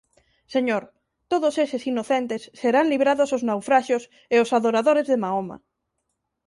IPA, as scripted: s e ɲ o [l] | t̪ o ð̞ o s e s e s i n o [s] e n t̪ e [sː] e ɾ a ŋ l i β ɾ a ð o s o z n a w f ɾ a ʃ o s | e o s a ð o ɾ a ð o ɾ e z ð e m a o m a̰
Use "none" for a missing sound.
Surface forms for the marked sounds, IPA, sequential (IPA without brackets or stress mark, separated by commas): ɾ, θ, sː